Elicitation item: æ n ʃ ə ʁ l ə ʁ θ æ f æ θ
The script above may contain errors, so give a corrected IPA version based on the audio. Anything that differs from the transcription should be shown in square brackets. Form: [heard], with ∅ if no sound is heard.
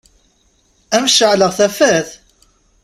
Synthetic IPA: æ [m] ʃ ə [ʕ] l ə ʁ θ æ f æ θ